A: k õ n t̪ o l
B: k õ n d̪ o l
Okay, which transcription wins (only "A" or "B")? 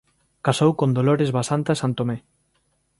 B